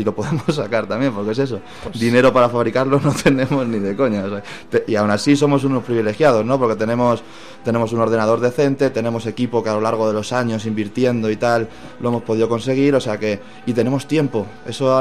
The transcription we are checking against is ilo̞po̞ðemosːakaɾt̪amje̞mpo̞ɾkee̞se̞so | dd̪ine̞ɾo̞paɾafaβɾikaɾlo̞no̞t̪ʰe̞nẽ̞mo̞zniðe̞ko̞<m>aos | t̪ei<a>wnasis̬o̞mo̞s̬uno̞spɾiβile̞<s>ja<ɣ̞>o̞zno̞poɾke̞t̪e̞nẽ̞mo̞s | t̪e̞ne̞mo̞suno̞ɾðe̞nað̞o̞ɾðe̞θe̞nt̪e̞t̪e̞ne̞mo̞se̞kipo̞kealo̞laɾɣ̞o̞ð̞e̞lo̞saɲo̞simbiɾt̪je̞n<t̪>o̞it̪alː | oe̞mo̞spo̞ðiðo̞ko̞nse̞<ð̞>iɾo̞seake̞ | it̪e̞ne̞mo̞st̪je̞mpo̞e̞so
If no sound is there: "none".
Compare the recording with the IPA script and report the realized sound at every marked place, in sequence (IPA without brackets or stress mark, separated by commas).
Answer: ɲ, a, x, ð̞, d̪, ɣ̞